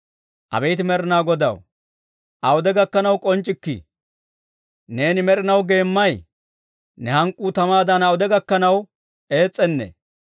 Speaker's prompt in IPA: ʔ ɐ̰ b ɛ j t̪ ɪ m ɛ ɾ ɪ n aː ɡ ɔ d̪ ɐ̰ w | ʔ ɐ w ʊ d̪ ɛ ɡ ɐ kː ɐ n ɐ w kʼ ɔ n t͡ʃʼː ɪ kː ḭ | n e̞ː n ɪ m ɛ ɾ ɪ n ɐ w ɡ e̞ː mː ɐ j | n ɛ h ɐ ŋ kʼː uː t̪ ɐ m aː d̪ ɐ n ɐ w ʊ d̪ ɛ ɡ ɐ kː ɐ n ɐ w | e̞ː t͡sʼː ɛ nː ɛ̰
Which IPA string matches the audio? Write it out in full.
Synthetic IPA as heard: ʔ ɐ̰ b ɛ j t̪ ɪ m ɛ ɾ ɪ n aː ɡ ɔ d̪ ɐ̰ w | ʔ ɐ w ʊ d̪ ɛ ɡ ɐ kː ɐ n ɐ w kʼ ɔ n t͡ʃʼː ɪ kː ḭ | n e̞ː n ɪ m ɛ ɾ ɪ n ɐ w ɡ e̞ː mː ɐ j | n ɛ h ɐ ŋ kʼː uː t̪ ɐ m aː d̪ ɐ n ɐ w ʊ d̪ ɛ ɡ ɐ kː ɐ n ɐ w | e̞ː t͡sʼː ɛ nː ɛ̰